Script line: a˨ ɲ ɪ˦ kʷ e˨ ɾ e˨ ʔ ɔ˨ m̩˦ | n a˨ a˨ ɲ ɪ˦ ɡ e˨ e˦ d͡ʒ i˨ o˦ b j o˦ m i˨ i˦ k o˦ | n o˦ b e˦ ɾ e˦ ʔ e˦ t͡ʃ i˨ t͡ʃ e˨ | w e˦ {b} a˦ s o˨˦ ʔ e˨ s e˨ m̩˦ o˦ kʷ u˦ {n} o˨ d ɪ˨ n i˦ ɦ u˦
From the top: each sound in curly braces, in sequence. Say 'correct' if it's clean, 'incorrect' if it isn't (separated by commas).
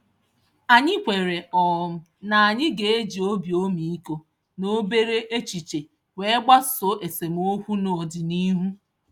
incorrect, correct